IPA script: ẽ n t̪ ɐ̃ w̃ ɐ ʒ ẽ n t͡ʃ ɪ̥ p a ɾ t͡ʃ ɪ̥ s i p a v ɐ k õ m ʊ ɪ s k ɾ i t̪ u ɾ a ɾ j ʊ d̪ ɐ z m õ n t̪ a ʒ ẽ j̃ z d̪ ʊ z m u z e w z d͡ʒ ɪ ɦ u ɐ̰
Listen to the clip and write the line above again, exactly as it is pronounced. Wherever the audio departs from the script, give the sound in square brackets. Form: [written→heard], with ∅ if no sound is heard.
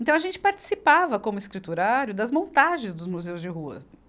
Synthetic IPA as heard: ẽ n t̪ ɐ̃ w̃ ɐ ʒ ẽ n t͡ʃ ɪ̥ p a ɾ t͡ʃ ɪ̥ s i p a v ɐ k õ m ʊ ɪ s k ɾ i t̪ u ɾ a ɾ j ʊ d̪ ɐ z m õ n t̪ a ʒ ẽ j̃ z d̪ ʊ z m u z e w z d͡ʒ ɪ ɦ u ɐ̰

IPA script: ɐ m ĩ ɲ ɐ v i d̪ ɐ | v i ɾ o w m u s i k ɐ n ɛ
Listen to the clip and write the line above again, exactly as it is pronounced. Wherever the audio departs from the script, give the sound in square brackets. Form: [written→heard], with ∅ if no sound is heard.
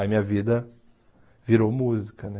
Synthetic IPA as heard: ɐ m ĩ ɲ ɐ v i d̪ ɐ | v i ɾ o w m u [s→z] i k ɐ n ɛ

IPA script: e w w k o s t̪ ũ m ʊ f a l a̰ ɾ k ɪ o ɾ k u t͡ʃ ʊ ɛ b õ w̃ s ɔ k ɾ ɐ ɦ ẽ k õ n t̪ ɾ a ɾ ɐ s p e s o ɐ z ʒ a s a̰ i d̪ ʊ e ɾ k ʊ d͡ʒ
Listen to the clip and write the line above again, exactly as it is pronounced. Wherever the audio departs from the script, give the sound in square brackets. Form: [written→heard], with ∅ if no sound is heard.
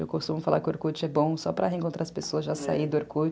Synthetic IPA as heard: e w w k o s t̪ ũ m ʊ f a l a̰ ɾ k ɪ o ɾ k u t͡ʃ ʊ ɛ b õ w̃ s ɔ [k→p] ɾ ɐ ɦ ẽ k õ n t̪ ɾ a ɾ ɐ s p e s o ɐ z ʒ a s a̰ i d̪ ʊ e ɾ k [ʊ→u] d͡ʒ

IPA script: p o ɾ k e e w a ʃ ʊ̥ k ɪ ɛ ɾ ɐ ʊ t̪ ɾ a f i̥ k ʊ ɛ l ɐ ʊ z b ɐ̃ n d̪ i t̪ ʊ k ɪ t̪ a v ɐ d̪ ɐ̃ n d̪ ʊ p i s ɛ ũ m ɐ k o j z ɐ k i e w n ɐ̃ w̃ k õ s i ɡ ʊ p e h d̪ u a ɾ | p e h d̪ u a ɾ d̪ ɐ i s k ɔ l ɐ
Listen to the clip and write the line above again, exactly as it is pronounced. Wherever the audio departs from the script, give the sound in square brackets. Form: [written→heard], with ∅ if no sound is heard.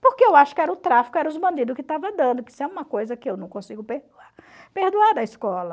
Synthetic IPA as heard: p o ɾ k e e w a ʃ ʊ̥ k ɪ ɛ ɾ ɐ ʊ t̪ ɾ a f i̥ k ʊ ɛ [l→ɾ] ɐ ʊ z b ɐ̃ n d̪ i [t̪→d̪] ʊ k ɪ t̪ a v ɐ d̪ ɐ̃ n d̪ ʊ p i s ɛ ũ m ɐ k o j z ɐ k [i→ɪ] e w n ɐ̃ w̃ k õ s i ɡ ʊ p e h d̪ u a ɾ | p e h d̪ u a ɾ d̪ ɐ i s k ɔ l ɐ

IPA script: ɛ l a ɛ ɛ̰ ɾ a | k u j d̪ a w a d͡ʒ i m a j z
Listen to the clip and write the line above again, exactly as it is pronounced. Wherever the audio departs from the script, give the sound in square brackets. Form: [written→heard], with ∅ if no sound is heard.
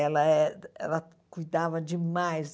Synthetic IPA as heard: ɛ l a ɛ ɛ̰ [ɾ→l] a | k u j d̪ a [w→v] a d͡ʒ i m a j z

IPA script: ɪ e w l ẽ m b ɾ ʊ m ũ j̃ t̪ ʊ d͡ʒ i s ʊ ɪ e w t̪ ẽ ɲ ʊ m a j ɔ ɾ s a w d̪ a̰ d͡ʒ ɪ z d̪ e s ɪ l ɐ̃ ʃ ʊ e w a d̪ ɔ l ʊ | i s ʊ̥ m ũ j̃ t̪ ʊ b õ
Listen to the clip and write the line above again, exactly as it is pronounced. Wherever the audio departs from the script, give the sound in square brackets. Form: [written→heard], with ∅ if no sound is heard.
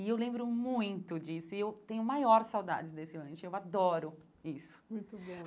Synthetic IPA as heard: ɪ e w l ẽ m b ɾ ʊ m ũ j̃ t̪ ʊ d͡ʒ i s ʊ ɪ e w t̪ ẽ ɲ ʊ m a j ɔ ɾ s a w d̪ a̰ d͡ʒ ɪ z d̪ e s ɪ l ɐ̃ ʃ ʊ e w a d̪ ɔ [l→ɾ] ʊ | i s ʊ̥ m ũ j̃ t̪ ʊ b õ

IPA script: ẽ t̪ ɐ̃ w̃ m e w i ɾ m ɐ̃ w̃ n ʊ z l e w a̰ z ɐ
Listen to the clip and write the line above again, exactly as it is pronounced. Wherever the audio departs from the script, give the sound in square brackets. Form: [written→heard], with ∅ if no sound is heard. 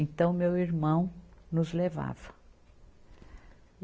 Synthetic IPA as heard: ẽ t̪ ɐ̃ w̃ m e w i ɾ m ɐ̃ w̃ n ʊ z l e [w→v] a̰ [z→v] ɐ

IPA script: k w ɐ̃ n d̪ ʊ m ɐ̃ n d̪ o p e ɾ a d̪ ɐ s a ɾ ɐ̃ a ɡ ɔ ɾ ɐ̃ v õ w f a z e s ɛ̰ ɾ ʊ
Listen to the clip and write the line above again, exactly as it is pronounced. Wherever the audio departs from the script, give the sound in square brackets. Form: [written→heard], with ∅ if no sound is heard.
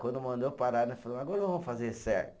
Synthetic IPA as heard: k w ɐ̃ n d̪ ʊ m ɐ̃ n d̪ o p [e→a] ɾ a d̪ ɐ [s→f] a [ɾ→l] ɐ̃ a ɡ ɔ ɾ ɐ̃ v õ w f a z e s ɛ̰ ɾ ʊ

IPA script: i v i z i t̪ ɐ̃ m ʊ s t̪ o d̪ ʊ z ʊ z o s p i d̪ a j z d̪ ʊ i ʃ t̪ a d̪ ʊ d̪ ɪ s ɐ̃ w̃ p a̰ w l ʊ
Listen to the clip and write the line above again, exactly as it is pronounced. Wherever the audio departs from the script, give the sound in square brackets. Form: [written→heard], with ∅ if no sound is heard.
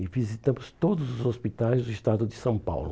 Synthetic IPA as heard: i v i z i t̪ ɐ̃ m ʊ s t̪ o d̪ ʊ z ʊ z o s p i [d̪→t̪] a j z d̪ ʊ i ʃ t̪ a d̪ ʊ d̪ ɪ s ɐ̃ w̃ p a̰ w l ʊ

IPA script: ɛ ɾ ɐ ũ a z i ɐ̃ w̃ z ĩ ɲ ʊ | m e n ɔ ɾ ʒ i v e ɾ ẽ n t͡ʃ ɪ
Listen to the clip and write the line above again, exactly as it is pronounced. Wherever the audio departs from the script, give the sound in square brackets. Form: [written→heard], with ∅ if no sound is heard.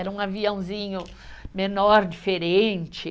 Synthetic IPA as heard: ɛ ɾ ɐ ũ a [z→v] i ɐ̃ w̃ z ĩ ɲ ʊ | m e n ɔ ɾ [ʒ→d͡ʒ] i [v→f] e ɾ ẽ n t͡ʃ ɪ

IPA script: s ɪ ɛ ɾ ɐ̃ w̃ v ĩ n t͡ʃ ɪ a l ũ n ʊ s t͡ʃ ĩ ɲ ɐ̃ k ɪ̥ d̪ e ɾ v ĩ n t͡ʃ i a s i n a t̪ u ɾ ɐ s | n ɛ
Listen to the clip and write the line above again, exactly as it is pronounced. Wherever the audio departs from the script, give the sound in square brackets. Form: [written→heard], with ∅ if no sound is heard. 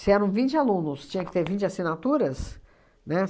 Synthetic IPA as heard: s ɪ ɛ ɾ ɐ̃ w̃ v ĩ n t͡ʃ ɪ a l ũ n ʊ s t͡ʃ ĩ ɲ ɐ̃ k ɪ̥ [d̪→t̪] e ɾ v ĩ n t͡ʃ [i→ɪ] a s i n a t̪ u ɾ ɐ s | n ɛ

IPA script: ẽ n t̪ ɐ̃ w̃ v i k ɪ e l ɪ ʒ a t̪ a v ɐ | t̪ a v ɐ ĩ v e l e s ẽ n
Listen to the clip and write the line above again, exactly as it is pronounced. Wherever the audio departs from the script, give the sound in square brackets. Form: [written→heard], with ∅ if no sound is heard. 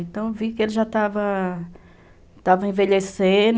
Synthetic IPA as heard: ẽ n t̪ ɐ̃ w̃ v i k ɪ e l ɪ ʒ a t̪ a v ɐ | t̪ a v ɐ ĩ v e [l→ʎ] e s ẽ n

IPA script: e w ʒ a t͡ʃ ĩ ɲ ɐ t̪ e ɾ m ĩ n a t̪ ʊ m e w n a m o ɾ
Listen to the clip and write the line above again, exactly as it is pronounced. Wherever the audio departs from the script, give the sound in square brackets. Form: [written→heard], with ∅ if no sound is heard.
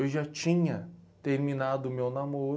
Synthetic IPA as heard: e w ʒ a t͡ʃ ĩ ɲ ɐ t̪ e ɾ m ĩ n a [t̪→d̪] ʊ m e w n a m o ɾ

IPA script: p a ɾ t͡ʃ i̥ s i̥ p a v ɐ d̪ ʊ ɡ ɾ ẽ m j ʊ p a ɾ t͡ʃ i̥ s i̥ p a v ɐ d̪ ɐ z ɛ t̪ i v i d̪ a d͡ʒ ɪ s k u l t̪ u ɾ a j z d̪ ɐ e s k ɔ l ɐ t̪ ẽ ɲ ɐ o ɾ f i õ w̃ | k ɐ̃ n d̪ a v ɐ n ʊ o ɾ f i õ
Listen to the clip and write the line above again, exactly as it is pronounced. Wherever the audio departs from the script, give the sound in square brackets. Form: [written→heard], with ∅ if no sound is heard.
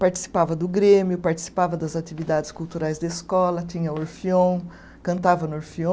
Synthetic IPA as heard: p a ɾ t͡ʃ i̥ s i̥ p a v ɐ d̪ ʊ ɡ ɾ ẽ m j ʊ p a ɾ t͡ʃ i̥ s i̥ p a v ɐ d̪ ɐ z [ɛ→a] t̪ i v i d̪ a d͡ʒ ɪ s k u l t̪ u ɾ a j z d̪ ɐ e s k ɔ l ɐ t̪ [ẽ→ĩ] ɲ ɐ o ɾ f i õ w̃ | k ɐ̃ n [d̪→t̪] a v ɐ n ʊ o ɾ f i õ

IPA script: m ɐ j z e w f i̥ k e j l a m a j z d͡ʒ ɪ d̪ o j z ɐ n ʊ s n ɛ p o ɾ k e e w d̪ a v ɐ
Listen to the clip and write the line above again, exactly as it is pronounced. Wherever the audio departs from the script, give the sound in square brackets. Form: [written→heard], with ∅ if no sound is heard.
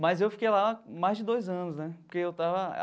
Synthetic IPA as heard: m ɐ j z e w f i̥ k e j l a m a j z d͡ʒ ɪ d̪ o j z [ɐ→ɐ̃] n ʊ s n ɛ p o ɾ k e e w [d̪→t̪] a v ɐ

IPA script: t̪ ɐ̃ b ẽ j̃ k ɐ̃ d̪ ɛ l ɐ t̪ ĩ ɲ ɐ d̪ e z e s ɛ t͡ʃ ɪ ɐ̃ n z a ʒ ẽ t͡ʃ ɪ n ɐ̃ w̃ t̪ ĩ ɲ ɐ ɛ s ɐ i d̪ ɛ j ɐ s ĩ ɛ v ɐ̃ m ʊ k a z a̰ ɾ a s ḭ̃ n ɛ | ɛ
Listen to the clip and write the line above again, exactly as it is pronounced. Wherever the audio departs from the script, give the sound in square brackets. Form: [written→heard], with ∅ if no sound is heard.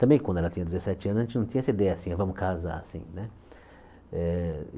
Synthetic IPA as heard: t̪ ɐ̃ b ẽ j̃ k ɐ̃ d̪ ɛ l ɐ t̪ ĩ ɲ ɐ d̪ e z e s ɛ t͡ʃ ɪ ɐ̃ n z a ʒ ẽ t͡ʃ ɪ n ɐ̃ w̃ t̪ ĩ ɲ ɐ ɛ s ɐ i d̪ ɛ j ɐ s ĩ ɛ v ɐ̃ m ʊ k a z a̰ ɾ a s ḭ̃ n ɛ | ɛ

